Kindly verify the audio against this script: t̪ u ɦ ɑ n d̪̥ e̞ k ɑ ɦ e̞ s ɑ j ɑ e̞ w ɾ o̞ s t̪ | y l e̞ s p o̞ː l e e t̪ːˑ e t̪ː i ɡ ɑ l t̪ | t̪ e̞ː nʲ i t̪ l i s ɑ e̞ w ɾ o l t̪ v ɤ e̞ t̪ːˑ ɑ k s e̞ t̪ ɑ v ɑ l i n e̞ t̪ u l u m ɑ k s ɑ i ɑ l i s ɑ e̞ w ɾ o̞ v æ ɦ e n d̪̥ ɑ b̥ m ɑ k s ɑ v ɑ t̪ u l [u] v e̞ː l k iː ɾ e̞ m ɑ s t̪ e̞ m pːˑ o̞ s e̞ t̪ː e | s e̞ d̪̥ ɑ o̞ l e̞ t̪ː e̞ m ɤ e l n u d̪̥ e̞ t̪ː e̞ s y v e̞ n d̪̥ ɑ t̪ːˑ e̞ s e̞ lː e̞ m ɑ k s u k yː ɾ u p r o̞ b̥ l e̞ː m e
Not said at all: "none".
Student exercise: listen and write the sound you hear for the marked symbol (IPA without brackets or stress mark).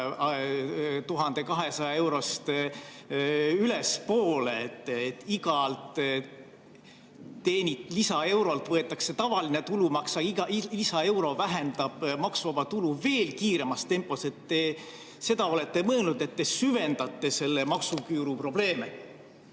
u